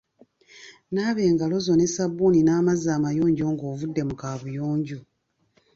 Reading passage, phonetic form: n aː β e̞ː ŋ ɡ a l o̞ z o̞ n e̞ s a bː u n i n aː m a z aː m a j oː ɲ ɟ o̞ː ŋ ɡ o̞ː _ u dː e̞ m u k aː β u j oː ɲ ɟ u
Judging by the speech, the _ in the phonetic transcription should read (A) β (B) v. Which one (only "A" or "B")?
B